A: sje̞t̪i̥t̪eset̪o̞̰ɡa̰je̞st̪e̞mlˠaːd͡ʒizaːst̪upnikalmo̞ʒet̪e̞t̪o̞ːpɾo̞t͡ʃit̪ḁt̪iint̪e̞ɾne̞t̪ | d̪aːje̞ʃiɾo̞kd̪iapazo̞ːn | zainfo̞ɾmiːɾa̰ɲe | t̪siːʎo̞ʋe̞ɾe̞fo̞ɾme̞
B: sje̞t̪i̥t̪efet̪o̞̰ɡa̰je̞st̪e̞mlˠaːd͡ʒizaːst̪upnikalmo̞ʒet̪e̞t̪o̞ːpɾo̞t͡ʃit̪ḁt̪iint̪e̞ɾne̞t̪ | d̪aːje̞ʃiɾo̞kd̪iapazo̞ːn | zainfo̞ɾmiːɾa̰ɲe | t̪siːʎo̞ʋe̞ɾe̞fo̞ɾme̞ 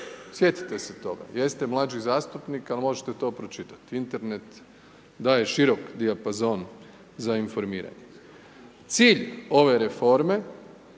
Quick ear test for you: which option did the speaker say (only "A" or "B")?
A